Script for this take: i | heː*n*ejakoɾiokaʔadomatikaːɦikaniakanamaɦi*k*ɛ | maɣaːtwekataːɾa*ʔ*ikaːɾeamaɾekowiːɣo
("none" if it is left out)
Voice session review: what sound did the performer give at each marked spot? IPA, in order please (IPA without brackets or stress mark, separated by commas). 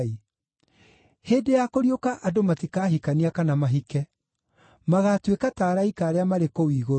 d, k, none